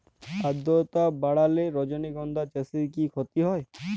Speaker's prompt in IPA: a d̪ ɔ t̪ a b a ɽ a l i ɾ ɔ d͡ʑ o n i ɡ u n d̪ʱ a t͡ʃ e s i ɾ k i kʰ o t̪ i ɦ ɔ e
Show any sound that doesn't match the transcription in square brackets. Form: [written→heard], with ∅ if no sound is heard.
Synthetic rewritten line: a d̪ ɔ t̪ a b a ɽ a l [i→e] ɾ ɔ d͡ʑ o n i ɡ [u→ɔ] n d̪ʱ a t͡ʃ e s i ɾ k i kʰ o t̪ i ɦ ɔ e